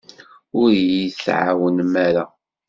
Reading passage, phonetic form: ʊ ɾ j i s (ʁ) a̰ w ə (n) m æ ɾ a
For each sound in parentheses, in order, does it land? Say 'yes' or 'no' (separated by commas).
no, yes